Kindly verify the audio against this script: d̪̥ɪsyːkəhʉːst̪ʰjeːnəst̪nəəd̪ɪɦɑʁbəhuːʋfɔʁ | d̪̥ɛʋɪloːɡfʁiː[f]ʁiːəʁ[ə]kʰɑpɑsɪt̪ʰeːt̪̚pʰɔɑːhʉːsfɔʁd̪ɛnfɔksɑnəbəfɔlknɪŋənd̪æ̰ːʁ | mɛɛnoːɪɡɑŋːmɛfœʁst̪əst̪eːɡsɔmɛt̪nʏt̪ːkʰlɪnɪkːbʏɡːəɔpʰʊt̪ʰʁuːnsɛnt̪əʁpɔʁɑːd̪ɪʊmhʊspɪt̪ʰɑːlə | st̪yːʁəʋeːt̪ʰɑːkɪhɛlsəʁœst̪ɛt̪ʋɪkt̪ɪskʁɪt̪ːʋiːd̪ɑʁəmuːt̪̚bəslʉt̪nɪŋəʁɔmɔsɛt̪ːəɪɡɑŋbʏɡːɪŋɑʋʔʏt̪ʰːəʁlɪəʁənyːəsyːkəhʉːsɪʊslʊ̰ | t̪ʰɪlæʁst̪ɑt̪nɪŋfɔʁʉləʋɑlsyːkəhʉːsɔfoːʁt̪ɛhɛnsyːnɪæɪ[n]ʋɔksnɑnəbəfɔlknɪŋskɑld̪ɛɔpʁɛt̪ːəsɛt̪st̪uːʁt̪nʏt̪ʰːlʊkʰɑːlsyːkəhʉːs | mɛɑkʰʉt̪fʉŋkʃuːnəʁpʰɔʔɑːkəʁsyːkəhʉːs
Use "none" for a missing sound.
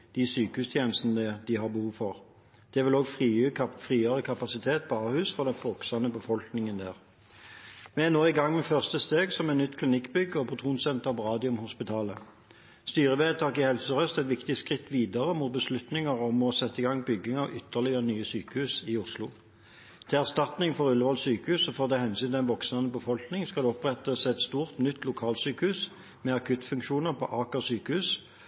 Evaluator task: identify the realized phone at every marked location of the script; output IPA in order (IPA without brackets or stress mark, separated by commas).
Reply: f, ə, n